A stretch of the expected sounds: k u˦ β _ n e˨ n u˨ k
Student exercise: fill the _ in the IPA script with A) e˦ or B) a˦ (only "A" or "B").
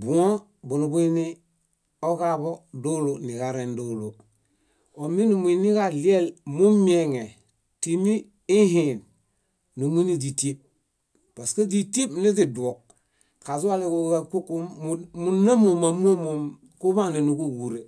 B